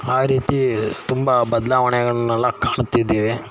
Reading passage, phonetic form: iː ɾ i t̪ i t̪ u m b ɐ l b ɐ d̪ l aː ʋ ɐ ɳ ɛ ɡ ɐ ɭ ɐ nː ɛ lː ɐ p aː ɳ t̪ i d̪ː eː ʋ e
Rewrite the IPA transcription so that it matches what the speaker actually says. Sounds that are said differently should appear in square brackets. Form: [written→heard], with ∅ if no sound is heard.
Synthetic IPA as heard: [iː→aː] ɾ [i→iː] t̪ i t̪ u m b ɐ [l→∅] b ɐ d̪ l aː ʋ ɐ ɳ ɛ ɡ ɐ ɭ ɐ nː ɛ lː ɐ [p→k] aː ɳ t̪ i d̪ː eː ʋ e